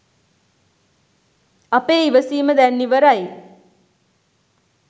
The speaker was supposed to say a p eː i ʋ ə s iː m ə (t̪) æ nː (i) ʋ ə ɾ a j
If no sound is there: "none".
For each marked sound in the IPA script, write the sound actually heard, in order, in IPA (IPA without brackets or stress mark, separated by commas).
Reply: d̪, i